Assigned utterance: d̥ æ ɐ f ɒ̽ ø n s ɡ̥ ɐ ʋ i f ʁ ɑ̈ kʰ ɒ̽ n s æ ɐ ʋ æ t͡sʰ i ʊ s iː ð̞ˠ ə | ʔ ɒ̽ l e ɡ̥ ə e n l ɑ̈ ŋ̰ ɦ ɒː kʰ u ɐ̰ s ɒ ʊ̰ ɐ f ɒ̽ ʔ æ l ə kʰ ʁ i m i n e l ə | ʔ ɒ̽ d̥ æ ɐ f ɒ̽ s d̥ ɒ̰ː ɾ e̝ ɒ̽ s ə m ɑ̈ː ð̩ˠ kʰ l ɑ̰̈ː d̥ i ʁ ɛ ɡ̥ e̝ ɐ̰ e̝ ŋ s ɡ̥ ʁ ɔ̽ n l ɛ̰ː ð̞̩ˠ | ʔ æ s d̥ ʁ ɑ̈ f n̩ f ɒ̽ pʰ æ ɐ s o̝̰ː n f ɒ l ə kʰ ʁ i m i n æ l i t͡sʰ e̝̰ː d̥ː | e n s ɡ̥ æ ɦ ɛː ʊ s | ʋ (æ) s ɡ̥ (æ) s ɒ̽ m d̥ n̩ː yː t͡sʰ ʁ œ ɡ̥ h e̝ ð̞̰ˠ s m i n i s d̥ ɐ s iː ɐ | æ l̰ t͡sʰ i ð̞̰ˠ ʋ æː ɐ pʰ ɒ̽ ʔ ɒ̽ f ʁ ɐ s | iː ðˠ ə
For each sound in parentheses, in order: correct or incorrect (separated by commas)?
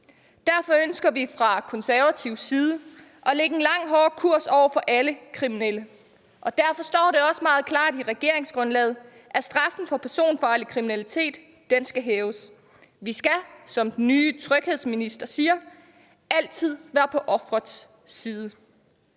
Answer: incorrect, correct